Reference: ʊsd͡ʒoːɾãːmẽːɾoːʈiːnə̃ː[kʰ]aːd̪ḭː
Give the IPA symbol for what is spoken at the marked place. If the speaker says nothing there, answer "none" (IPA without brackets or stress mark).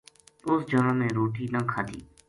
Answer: kʰ